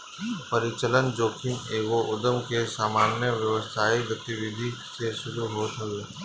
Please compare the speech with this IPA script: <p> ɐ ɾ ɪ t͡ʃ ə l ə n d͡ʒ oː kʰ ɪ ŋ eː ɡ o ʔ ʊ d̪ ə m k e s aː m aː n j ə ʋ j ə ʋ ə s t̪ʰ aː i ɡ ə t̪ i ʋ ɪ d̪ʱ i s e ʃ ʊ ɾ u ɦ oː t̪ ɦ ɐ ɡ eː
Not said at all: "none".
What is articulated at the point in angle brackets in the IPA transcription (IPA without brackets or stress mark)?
p